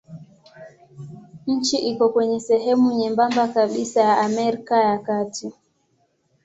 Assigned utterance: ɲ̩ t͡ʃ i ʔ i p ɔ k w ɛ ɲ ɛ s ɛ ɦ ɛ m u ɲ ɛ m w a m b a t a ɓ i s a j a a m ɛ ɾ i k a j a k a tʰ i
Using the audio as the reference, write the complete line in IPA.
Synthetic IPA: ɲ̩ t͡ʃ i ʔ i k ɔ k w ɛ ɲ ɛ s ɛ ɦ ɛ m u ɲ ɛ m b a m b a k a ɓ i s a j a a m ɛ ɾ i k a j a k a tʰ i